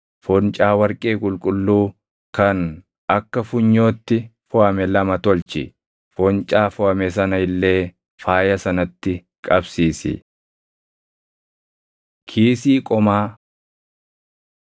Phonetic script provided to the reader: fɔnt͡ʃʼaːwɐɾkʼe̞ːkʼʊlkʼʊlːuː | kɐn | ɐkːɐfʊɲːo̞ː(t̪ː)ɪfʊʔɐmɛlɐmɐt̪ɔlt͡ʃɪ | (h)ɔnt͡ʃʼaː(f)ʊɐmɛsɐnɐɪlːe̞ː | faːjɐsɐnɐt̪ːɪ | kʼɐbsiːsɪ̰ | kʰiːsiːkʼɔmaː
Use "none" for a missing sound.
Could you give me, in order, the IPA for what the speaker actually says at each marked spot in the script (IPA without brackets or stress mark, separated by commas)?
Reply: t̪ː, f, f